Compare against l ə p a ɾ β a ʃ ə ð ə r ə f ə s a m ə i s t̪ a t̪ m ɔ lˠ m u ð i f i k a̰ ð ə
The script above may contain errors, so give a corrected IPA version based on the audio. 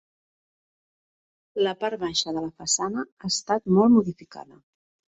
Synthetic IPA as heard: l ə p a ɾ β a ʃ ə ð ə l ə f ə s a n ə a s t̪ a t̪ m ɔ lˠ m u ð i f i k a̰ ð ə